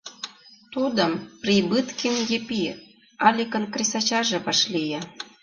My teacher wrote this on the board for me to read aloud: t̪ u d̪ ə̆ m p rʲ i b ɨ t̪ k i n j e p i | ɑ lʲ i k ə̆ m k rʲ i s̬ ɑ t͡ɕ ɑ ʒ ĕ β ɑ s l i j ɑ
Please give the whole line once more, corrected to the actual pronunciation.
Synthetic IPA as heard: t̪ u d̪ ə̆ m p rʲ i b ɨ t̪ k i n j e p i | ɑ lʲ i k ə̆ n k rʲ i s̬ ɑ t͡ɕ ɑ ʒ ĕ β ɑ ʃ l i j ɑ